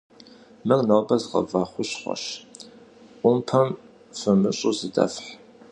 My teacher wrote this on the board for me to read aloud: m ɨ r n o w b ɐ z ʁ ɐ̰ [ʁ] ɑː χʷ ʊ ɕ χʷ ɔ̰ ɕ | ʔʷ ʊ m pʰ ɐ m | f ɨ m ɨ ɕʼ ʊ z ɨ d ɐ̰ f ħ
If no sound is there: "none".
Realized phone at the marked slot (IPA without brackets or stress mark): v